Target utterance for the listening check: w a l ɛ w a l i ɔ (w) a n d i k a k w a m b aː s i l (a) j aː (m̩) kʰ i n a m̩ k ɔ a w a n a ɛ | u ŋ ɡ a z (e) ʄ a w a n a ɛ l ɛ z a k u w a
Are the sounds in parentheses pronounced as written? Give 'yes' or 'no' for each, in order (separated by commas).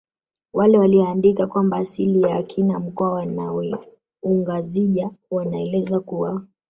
no, no, no, no